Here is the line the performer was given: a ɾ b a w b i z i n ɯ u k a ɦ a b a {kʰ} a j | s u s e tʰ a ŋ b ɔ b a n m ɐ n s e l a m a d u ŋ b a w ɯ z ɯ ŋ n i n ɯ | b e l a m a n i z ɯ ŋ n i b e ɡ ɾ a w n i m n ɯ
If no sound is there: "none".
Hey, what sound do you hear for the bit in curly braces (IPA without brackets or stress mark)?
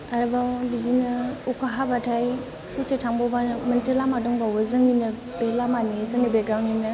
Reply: tʰ